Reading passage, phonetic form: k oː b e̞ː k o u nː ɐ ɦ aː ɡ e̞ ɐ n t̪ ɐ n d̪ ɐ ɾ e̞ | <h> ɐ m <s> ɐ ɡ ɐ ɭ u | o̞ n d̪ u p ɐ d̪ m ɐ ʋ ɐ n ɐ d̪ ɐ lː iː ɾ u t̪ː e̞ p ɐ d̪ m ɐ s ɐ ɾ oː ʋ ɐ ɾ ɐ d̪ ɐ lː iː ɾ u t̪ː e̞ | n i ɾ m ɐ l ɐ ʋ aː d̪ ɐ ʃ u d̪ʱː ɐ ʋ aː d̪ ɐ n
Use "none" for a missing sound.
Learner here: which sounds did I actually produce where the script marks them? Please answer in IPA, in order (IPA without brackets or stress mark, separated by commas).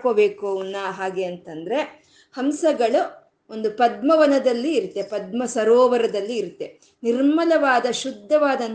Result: h, s